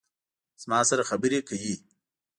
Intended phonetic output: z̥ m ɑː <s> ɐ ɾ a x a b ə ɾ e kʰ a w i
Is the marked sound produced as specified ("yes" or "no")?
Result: yes